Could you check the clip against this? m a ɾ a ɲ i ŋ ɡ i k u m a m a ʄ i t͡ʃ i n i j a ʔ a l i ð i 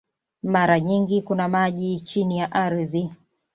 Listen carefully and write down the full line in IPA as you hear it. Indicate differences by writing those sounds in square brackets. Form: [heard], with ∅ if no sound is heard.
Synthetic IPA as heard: m a ɾ a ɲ i ŋ ɡ i k u [n] a m a ʄ i t͡ʃ i n i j a ʔ a [ɾ] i ð i